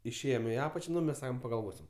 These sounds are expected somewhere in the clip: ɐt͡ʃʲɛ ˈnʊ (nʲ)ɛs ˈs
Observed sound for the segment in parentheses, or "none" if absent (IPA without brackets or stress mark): mʲ